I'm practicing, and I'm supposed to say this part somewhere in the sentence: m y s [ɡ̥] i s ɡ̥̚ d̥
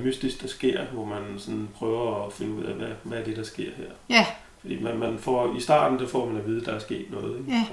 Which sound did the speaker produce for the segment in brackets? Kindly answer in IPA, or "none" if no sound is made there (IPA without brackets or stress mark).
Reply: d̥